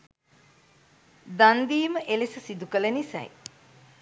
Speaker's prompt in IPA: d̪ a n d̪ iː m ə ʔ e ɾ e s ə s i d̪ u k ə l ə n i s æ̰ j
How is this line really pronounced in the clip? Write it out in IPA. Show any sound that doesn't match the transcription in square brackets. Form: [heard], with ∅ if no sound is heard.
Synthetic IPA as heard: d̪ a n d̪ iː m ə ʔ e [l] e s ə s i d̪ u k ə l ə n i s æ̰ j

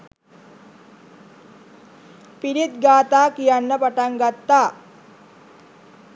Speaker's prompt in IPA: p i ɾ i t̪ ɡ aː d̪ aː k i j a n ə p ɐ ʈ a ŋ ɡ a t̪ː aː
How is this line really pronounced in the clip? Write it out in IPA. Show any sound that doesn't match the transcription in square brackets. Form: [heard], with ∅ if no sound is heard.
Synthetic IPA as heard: p i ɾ i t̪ ɡ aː [t̪] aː k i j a [nː] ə p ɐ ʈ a ŋ ɡ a t̪ː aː

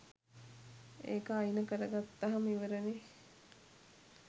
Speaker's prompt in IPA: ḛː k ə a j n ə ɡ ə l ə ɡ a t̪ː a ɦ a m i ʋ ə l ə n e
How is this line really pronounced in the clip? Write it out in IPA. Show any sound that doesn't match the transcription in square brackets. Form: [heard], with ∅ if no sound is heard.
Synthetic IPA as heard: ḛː k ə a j n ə [k] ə [ɾ] ə ɡ a t̪ː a ɦ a m i ʋ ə [ɾ] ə n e

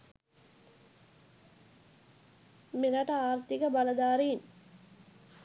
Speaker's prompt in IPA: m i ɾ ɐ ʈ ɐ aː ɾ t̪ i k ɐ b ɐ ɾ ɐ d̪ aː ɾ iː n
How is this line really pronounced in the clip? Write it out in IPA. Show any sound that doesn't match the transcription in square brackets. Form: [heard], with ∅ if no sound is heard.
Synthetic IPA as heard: m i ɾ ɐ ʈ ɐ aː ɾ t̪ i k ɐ b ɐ [l] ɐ d̪ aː ɾ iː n

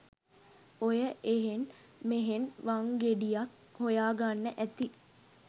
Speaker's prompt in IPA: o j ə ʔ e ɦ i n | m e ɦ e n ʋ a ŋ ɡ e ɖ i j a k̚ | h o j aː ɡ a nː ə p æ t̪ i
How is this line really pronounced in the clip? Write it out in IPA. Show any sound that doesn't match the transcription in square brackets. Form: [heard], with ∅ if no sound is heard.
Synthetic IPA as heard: o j ə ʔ e ɦ [e] n | m e ɦ e n ʋ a ŋ ɡ e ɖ i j a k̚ | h o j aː ɡ a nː ə [ʔ] æ t̪ i

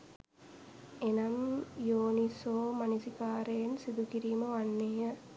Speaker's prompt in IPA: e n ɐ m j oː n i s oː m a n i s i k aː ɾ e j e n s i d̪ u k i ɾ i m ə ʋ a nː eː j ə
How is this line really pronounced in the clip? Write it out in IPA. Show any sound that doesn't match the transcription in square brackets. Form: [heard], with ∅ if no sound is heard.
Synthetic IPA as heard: e n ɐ m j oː n i s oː m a n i s i k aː ɾ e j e n s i d̪ u k i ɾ [iː] m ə ʋ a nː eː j ə

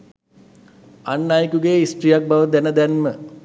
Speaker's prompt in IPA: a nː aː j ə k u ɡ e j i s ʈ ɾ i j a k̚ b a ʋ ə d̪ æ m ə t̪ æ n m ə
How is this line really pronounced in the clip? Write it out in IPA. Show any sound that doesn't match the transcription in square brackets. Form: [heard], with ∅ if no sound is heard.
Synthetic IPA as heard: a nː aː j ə k u ɡ e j i s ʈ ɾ i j a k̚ b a ʋ ə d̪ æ [n] ə [d̪] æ n m ə

